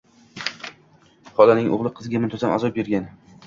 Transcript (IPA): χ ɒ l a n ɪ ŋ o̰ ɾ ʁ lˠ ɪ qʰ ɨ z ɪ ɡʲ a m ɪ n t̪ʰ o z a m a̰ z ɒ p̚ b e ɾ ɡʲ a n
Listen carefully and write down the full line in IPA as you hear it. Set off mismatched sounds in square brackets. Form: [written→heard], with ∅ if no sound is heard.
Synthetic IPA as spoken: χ ɒ l a n ɪ ŋ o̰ [ɾ→∅] ʁ lˠ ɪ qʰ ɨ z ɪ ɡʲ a m ɪ n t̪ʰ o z a m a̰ z ɒ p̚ b e ɾ ɡʲ a n